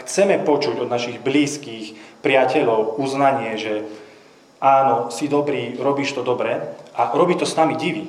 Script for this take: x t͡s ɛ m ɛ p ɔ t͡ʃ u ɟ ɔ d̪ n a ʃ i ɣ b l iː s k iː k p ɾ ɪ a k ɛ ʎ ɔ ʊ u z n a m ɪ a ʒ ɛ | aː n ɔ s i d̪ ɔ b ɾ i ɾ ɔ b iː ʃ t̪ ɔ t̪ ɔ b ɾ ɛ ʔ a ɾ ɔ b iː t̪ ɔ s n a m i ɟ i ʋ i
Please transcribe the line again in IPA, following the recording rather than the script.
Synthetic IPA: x t͡s ɛ m ɛ p ɔ t͡ʃ u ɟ ɔ d̪ n a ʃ i ɣ b l iː s k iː x p ɾ ɪ a c ɛ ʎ ɔ ʊ u z n a ɲ ɪ ɛ ʒ ɛ | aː n ɔ s i d̪ ɔ b ɾ iː ɾ ɔ b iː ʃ t̪ ɔ d̪ ɔ b ɾ ɛ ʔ a ɾ ɔ b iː t̪ ɔ s n a m i ɟ i ʋ i